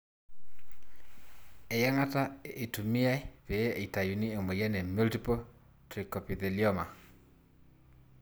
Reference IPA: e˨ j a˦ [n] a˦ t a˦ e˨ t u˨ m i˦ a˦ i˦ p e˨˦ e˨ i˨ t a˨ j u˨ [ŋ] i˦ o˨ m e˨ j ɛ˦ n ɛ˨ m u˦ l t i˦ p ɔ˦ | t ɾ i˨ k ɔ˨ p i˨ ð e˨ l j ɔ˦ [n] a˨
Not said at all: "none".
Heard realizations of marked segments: ŋ, n, m

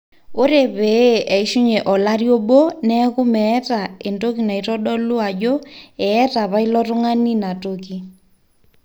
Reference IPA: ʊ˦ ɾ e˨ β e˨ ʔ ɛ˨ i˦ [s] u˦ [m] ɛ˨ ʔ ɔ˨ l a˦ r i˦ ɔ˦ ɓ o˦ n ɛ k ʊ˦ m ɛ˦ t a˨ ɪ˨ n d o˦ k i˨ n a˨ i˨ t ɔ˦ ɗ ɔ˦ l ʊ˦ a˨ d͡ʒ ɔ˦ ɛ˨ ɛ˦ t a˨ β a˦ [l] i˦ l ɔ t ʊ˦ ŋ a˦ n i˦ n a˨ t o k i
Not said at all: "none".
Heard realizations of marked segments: ʃ, ɲ, none

